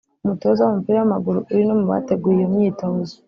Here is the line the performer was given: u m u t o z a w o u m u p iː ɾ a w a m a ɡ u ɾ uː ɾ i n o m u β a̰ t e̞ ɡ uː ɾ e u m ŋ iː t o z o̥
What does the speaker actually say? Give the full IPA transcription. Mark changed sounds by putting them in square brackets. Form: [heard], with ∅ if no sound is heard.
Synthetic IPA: u m u t o z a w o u m u p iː ɾ a w a m a ɡ u ɾ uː ɾ i n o m u β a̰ t e̞ ɡ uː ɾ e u m [ɲ] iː t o z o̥